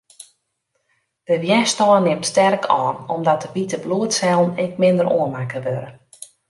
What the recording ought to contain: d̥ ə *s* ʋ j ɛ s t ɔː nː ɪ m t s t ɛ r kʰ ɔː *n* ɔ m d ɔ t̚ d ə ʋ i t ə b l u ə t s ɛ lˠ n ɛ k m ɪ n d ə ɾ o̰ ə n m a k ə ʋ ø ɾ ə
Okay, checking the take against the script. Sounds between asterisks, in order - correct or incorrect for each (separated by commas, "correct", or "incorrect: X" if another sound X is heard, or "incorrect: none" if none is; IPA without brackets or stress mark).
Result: incorrect: none, correct